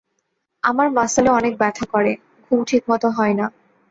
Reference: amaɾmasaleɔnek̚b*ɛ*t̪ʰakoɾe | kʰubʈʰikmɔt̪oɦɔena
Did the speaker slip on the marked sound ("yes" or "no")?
no